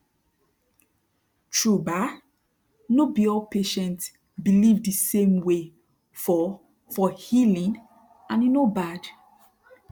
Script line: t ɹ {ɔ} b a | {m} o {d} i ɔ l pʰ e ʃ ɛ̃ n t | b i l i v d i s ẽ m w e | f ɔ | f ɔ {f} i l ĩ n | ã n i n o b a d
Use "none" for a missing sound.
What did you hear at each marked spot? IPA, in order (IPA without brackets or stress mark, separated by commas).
u, n, b, h